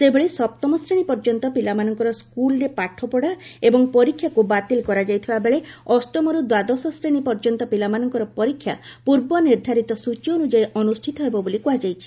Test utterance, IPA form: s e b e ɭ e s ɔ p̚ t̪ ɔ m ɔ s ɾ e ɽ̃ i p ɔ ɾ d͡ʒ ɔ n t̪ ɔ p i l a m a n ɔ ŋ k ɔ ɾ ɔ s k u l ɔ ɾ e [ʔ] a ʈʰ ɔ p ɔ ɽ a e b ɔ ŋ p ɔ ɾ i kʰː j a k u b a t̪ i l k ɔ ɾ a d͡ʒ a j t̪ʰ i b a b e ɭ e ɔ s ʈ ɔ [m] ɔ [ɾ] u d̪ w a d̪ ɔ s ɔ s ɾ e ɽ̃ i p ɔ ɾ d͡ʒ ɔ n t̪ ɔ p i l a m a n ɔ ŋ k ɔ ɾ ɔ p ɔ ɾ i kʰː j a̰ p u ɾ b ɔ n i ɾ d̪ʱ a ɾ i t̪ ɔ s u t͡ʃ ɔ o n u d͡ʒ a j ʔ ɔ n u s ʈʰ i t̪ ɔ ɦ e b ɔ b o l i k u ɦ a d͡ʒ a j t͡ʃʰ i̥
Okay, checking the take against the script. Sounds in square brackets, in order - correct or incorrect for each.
incorrect: p, correct, correct

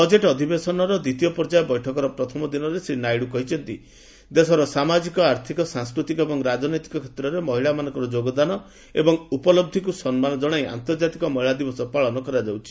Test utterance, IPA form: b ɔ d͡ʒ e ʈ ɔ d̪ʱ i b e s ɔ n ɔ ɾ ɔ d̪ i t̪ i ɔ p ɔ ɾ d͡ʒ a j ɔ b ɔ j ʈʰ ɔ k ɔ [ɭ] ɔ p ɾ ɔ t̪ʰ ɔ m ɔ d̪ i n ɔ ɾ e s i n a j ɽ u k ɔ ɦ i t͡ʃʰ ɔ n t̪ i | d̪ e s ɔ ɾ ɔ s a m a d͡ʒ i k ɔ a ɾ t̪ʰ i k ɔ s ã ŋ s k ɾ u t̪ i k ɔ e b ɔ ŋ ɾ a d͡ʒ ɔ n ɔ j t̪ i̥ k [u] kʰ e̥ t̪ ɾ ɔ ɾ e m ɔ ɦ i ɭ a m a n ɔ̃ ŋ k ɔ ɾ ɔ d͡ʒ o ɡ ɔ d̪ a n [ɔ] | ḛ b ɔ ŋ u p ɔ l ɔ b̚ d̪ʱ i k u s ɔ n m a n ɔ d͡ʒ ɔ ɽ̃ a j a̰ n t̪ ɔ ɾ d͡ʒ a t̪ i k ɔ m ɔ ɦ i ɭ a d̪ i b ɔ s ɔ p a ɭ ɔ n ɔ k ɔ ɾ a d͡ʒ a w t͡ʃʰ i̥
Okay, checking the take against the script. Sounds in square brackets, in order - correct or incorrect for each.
incorrect: ɾ, incorrect: ɔ, correct

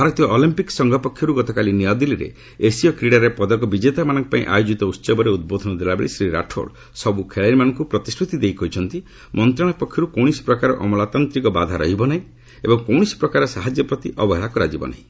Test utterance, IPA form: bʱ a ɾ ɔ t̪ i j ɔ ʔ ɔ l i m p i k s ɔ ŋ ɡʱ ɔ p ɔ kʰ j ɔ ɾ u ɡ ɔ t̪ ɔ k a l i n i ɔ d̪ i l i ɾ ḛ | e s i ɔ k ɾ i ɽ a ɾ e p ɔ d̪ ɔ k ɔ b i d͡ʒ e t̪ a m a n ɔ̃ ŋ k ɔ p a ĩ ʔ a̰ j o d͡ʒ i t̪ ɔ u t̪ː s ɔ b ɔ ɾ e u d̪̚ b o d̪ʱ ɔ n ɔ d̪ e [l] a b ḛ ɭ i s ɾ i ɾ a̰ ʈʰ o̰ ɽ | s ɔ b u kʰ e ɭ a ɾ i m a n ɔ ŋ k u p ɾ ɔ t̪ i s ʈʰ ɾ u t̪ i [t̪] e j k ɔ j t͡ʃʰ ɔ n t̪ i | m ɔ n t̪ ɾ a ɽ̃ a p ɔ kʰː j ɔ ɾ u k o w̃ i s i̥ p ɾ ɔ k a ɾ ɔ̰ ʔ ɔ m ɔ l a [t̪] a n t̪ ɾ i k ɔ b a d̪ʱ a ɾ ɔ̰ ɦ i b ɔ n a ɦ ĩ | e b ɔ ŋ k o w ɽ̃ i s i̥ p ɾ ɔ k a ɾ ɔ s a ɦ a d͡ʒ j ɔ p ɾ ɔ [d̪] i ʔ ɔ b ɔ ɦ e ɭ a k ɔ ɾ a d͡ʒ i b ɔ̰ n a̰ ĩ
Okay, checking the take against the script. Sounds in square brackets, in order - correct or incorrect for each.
correct, incorrect: d̪, correct, incorrect: t̪

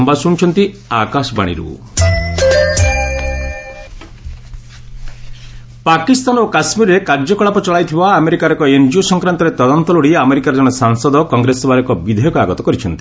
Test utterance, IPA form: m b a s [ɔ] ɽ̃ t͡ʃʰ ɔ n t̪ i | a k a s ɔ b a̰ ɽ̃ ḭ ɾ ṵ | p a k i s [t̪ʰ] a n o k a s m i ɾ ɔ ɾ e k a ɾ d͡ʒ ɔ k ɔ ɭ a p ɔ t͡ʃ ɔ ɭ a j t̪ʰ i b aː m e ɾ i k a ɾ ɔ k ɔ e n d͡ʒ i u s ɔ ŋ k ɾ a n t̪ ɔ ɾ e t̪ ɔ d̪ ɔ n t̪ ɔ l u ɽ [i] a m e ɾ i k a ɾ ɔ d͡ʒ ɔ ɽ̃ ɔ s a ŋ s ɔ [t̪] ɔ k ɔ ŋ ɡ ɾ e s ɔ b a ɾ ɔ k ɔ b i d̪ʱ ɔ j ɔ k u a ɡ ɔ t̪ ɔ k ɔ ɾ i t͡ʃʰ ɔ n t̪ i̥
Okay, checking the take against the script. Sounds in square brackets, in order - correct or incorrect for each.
incorrect: u, incorrect: t̪, correct, incorrect: d̪

